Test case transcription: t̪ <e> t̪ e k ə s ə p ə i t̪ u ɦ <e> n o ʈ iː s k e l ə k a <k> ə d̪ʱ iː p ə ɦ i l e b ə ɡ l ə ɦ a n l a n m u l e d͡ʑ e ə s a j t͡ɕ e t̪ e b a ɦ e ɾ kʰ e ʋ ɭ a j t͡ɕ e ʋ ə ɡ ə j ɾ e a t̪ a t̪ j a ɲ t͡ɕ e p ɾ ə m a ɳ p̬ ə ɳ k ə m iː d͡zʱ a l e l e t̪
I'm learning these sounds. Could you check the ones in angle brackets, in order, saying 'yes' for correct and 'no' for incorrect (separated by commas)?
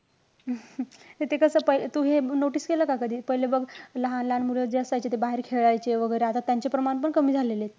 yes, yes, yes